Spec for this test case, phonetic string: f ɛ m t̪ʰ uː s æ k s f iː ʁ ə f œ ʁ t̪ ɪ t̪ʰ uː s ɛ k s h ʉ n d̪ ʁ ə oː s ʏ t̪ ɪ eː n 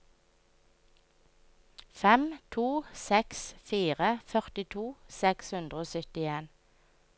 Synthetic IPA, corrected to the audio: f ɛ m t̪ʰ uː s ɛ k s f iː ʁ ə f œ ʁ t̪ ɪ t̪ʰ uː s ɛ k s h ʉ n d̪ ʁ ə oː s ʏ t̪ ɪ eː n

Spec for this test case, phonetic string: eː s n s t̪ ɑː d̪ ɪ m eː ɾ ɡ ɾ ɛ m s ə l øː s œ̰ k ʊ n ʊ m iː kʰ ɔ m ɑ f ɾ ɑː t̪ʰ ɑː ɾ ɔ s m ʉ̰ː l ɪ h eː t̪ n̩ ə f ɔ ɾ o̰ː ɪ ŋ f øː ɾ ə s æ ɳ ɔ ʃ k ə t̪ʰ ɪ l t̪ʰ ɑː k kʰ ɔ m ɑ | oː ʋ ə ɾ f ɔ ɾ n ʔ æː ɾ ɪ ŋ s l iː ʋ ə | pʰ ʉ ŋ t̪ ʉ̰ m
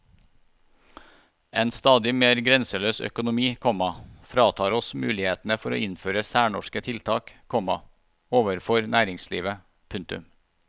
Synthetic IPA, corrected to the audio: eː n s t̪ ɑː d̪ ɪ m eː ɾ ɡ ɾ ɛ n s ə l øː s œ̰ k ʊ n ʊ m iː kʰ ɔ m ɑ f ɾ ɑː t̪ʰ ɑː ɾ ɔ s m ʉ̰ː l ɪ h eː t̪ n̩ ə f ɔ ɾ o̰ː ɪ n f øː ɾ ə s æː ɳ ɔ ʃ k ə t̪ʰ ɪ l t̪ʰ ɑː k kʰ ɔ m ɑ | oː ʋ ə ɾ f ɔ ɾ n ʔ æː ɾ ɪ ŋ s l iː ʋ ə | pʰ ʉ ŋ t̪ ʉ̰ m

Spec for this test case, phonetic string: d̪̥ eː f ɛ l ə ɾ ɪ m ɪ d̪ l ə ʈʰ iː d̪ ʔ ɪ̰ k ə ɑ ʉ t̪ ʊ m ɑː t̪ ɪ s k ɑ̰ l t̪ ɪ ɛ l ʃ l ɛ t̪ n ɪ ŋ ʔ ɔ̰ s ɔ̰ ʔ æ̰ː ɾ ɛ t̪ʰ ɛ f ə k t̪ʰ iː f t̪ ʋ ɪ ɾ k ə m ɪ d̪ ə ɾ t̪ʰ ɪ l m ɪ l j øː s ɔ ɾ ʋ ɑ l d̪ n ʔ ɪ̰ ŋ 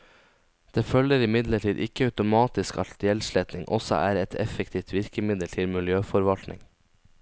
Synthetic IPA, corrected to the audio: d̪̥ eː f œ l ə ɾ ɪ m ɪ d̪ l ə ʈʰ iː d̪ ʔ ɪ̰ k ə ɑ ʉ t̪ ʊ m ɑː t̪ ɪ s k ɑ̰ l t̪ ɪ ɛ l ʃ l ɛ t̪ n ɪ ŋ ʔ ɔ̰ s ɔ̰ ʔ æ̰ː ɾ ɛ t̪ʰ ɛ f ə k t̪ʰ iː f t̪ ʋ ɪ ɾ k ə m ɪ d̪ ə l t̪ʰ ɪ l m ɪ l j øː f ɔ ɾ ʋ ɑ l t̪ n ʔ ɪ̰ ŋ

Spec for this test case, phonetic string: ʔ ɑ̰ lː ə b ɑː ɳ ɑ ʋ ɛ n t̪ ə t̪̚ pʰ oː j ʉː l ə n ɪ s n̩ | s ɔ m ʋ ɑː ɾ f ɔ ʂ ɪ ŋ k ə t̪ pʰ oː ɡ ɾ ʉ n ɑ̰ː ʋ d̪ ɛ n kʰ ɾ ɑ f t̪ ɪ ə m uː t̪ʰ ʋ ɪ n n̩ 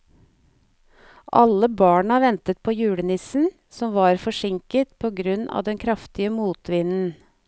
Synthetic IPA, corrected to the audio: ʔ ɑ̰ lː ə b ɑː ɳ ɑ ʋ ɛ n t̪ ə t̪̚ pʰ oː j ʉː ɽ ə n ɪ s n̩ | s ɔ m ʋ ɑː ɾ f ɔ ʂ ɪ ŋ k ə t̪ pʰ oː ɡ ɾ ʉ n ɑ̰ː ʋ d̪ ɛ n kʰ ɾ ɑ f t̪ ɪ ə m uː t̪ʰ ʋ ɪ n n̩

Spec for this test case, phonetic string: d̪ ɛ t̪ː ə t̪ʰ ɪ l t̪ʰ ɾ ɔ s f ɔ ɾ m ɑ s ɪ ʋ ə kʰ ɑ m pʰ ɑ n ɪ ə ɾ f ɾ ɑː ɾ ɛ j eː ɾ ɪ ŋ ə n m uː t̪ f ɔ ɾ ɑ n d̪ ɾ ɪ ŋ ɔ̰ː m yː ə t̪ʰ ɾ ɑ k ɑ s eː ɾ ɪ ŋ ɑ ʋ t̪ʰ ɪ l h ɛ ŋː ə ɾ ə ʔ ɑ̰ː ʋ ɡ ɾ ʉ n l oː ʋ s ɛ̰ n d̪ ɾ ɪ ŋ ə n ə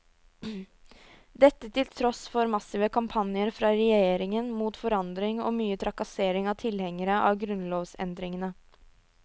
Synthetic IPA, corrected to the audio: d̪ ɛ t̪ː ə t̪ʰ ɪ l t̪ʰ ɾ ɔ s f ɔ ɾ m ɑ s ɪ ʋ ə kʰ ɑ m pʰ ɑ n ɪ ə ɾ f ɾ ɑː ɾ ɛ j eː ɾ ɪ ŋ ə n m uː t̪ f ɔ ɾ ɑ n d̪ ɾ ɪ ŋ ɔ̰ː m yː ə t̪ʰ ɾ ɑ k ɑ s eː ɾ ɪ ŋ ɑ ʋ t̪ʰ ɪ l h ɛ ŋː ə ɾ ə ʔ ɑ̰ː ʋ ɡ ɾ ʉ n l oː ʋ s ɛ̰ n d̪ ɾ ɪ ŋ ə n ə

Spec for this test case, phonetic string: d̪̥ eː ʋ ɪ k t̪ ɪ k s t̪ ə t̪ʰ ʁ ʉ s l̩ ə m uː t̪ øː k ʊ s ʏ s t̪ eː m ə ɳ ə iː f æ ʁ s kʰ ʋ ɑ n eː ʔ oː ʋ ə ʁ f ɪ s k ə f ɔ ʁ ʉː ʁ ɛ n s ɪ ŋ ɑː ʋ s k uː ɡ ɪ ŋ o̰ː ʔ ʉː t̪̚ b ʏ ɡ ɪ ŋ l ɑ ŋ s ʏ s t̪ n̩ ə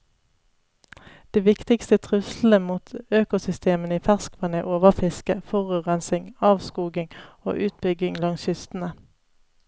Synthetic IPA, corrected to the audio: d̪̥ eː ʋ ɪ k t̪ ɪ k s t̪ ə t̪ʰ ʁ ʉ s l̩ ə m uː t̪ øː k ʊ s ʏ s t̪ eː m ə n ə iː f æ ʁ s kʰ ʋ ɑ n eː ʔ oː ʋ ə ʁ f ɪ s k ə f ɔ ʁ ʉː ʁ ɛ n s ɪ ŋ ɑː ʋ s k uː ɡ ɪ ŋ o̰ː ʔ ʉː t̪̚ b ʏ ɡ ɪ ŋ l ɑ ŋ s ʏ s t̪ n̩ ə

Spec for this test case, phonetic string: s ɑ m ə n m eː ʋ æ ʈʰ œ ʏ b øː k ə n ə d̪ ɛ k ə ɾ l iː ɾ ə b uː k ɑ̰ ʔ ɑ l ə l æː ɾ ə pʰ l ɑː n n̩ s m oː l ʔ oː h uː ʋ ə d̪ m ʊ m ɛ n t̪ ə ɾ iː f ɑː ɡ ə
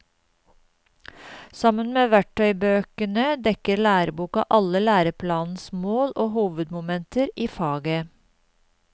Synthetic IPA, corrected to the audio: s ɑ m ə n m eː ʋ æ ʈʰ œ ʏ b øː k ə n ə d̪ ɛ k ə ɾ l æː ɾ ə b uː k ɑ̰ ʔ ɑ l ə l æː ɾ ə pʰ l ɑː n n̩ s m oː l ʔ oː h uː ʋ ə d̪ m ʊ m ɛ n t̪ ə ɾ iː f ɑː ɡ ə

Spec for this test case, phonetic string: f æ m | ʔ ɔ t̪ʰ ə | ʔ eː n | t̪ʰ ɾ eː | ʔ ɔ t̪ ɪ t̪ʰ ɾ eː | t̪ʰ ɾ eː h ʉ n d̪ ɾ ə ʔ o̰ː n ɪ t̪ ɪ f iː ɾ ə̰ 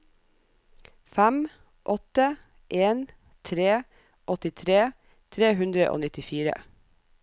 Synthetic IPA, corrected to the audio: f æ m | ʔ ɔ t̪ ə | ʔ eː n | t̪ʰ ɾ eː | ʔ ɔ t̪ ɪ t̪ʰ ɾ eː | t̪ʰ ɾ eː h ʉ n d̪ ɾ ə ʔ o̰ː n ɪ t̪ ɪ f iː ɾ ə̰

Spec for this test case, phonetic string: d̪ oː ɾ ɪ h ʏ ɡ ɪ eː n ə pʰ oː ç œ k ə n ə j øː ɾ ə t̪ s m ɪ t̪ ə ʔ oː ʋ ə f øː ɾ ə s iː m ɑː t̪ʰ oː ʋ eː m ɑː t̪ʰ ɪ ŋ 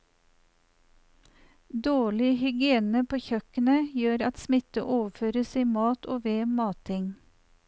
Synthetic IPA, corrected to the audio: d̪ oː ɭ ɪ h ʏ ɡ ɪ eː n ə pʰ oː ç œ k ə n ə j øː ɾ ɑ t̪ s m ɪ t̪ ə ʔ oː ʋ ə f øː ɾ ə s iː m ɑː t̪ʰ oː ʋ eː m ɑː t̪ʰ ɪ ŋ

